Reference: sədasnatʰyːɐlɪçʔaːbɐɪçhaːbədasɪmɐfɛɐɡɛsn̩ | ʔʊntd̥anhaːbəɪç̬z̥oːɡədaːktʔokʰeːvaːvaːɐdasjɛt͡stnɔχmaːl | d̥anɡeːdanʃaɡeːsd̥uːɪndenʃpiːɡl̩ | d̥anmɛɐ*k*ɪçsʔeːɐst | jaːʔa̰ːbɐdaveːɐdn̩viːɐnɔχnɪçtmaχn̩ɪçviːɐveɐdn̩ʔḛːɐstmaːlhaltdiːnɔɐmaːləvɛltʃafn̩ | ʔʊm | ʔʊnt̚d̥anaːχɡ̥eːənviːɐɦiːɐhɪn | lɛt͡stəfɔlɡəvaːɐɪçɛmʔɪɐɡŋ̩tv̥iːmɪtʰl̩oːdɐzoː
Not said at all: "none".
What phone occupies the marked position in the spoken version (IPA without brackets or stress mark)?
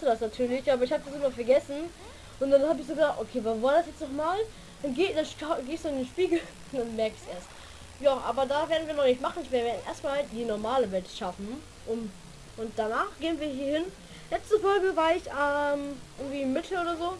k